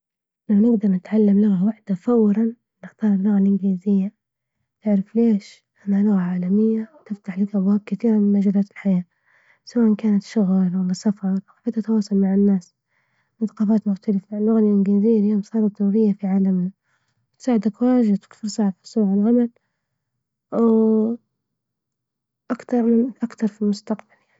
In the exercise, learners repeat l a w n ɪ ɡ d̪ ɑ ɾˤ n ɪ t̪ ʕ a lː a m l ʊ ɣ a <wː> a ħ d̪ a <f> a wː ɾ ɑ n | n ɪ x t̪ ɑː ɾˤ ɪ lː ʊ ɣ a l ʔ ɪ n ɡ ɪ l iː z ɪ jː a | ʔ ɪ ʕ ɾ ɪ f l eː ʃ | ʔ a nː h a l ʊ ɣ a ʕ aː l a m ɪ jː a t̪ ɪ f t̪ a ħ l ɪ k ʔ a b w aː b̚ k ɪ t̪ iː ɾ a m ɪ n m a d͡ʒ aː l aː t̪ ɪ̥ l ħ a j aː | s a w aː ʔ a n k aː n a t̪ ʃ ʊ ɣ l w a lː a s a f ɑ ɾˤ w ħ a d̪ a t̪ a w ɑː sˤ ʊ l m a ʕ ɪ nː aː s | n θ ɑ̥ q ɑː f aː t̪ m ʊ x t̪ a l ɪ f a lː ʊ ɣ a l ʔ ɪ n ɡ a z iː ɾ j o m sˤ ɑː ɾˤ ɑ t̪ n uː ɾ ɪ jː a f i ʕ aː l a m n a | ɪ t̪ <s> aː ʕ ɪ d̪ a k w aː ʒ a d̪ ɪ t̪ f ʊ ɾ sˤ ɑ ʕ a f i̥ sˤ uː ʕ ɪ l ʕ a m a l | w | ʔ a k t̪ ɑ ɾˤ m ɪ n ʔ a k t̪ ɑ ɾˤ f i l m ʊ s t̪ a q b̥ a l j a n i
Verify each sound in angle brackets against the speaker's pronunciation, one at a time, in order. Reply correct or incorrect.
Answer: incorrect: w, correct, correct

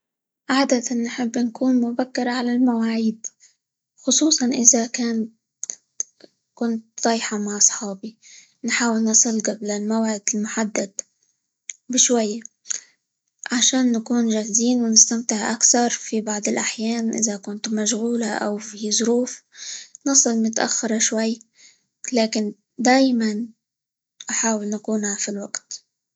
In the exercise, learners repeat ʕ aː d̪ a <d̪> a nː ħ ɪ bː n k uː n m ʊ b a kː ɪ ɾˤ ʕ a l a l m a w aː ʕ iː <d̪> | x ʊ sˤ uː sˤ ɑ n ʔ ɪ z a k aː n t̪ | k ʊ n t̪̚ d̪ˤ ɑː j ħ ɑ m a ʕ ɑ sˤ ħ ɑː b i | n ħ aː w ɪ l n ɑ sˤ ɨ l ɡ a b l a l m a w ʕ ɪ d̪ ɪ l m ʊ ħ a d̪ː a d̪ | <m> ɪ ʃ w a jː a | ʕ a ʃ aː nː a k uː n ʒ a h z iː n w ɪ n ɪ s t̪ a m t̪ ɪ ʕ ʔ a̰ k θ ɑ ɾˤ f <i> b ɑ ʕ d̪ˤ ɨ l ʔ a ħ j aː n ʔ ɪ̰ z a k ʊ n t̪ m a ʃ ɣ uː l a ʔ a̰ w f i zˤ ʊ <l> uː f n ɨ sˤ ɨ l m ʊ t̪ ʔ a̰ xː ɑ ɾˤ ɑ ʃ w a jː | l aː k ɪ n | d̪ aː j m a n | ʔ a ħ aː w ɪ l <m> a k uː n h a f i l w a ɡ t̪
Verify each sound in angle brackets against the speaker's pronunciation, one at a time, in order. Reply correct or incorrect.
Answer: incorrect: t̪, correct, incorrect: b, correct, incorrect: ɾ, incorrect: n

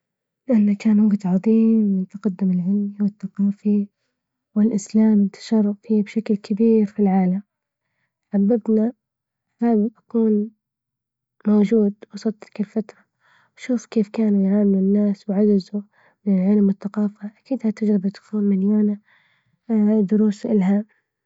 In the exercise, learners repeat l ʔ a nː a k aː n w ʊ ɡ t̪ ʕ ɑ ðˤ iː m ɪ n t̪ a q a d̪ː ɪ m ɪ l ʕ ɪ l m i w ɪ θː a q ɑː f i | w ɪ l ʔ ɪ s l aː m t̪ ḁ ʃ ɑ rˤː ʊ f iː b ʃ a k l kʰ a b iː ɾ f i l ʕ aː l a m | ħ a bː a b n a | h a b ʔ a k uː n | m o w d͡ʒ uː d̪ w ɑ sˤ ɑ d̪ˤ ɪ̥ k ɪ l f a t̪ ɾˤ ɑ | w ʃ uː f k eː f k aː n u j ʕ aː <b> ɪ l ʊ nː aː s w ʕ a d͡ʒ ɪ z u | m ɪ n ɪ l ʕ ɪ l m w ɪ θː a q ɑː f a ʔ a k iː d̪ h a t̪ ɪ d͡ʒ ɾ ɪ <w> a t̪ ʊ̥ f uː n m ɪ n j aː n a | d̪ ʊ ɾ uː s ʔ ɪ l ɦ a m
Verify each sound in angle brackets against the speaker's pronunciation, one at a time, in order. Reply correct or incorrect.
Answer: incorrect: m, incorrect: b

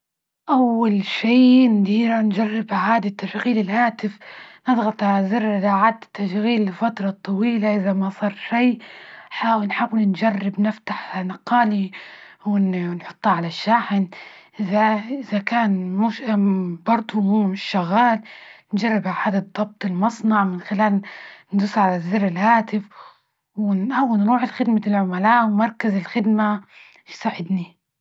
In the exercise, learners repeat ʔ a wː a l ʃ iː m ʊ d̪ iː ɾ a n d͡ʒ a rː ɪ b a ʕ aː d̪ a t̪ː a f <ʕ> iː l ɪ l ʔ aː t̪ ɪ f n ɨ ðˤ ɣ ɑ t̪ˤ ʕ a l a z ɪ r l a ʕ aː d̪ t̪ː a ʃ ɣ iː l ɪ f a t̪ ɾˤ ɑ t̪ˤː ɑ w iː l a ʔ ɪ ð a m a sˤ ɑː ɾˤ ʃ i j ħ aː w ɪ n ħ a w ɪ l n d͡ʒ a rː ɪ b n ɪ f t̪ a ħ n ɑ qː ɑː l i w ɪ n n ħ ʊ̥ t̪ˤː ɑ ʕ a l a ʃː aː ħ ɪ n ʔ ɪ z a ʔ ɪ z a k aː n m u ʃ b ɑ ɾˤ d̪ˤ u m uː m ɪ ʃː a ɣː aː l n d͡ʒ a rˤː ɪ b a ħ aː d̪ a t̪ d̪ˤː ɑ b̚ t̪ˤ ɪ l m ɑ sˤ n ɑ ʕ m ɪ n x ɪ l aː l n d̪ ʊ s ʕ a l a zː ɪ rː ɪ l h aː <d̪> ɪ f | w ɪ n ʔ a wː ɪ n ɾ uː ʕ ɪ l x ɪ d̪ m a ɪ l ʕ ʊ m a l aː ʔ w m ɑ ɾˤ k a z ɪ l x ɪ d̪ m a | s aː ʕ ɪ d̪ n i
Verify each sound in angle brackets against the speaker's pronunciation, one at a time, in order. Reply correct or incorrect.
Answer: incorrect: ɣ, incorrect: t̪

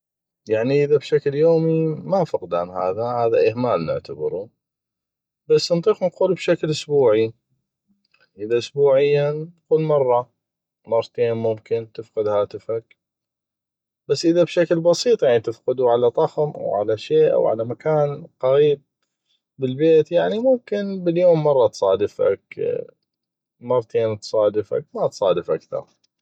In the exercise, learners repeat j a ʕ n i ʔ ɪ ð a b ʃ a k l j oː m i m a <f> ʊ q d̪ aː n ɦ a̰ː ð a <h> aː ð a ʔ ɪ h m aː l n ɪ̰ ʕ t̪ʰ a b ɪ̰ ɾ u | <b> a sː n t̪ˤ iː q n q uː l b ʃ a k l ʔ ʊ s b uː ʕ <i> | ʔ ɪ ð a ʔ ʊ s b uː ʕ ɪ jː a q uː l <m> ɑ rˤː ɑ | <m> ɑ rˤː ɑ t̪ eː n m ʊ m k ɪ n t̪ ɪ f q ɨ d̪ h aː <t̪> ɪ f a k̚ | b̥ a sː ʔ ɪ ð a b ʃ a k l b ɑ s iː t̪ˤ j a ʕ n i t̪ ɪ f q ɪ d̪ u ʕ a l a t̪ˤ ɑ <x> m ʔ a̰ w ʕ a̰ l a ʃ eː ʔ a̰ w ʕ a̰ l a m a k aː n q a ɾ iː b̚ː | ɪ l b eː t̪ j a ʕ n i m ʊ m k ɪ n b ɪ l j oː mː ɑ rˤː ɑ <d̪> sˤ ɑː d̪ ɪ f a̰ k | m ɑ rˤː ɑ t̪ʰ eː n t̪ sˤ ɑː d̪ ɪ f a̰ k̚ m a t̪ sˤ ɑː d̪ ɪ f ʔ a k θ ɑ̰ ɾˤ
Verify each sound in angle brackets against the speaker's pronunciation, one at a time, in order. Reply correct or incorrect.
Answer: correct, correct, correct, correct, correct, correct, correct, correct, incorrect: t̪

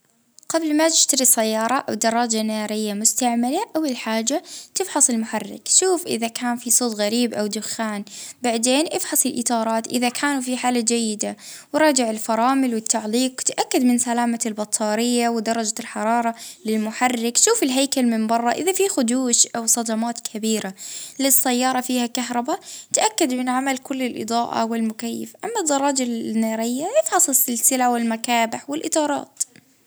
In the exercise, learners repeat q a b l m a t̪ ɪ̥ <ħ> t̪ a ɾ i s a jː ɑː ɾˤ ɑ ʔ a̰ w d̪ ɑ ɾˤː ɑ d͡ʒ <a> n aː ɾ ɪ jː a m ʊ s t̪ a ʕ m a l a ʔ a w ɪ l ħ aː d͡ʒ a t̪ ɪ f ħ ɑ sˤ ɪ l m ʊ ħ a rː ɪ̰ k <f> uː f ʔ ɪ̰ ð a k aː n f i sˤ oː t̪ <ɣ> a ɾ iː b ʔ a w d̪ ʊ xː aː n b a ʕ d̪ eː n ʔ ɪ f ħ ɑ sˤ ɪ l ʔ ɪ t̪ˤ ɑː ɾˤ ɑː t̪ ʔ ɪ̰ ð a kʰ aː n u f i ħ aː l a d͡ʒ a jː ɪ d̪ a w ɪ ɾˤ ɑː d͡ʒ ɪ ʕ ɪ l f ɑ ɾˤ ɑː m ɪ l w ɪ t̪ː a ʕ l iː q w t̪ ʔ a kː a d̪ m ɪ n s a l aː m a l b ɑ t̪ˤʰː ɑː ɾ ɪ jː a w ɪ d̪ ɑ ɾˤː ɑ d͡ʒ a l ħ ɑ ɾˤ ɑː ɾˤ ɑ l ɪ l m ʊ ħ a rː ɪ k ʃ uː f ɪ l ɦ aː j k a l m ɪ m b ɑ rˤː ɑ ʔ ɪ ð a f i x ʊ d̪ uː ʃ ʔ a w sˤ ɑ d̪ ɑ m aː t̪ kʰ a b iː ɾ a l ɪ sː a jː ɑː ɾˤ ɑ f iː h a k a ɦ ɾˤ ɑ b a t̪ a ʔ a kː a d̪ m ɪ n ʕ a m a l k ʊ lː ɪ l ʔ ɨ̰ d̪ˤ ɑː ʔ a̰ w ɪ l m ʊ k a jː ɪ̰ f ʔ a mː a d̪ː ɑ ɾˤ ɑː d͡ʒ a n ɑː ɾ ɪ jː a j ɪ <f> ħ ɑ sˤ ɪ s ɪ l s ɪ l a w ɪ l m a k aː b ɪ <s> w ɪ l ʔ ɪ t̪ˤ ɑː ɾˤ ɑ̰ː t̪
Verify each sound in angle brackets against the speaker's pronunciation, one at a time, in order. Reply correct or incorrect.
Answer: incorrect: ʃ, correct, incorrect: ʃ, correct, correct, incorrect: ħ

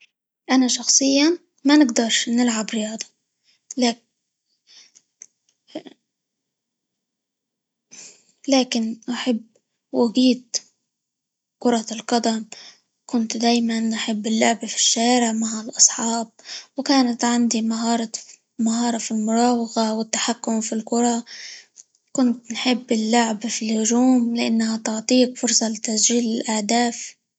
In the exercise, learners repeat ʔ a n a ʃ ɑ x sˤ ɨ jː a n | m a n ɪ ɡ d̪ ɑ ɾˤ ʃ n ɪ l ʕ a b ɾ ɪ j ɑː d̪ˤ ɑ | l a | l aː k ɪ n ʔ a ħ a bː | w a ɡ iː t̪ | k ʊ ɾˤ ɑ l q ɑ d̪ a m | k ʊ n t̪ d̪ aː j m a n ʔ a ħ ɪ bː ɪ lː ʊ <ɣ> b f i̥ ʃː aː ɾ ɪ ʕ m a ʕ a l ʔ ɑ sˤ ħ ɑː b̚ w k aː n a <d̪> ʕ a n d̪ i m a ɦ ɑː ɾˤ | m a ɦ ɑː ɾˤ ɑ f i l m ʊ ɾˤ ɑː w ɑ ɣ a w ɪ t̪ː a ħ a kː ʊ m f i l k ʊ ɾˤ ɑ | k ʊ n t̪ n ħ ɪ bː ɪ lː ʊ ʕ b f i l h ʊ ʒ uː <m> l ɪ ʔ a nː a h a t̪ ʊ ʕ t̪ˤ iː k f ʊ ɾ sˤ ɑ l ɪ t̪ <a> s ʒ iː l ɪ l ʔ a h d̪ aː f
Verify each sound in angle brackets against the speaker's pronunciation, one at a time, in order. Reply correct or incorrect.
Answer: incorrect: ʕ, incorrect: t̪, correct, correct

